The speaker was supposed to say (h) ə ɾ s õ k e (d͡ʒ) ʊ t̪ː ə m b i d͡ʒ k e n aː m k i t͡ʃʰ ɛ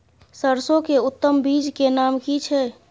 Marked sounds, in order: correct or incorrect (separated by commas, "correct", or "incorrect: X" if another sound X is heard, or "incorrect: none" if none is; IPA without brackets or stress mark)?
incorrect: s, incorrect: none